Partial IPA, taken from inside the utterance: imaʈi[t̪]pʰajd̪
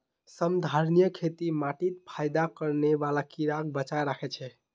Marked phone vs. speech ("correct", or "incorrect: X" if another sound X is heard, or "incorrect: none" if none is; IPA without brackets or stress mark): correct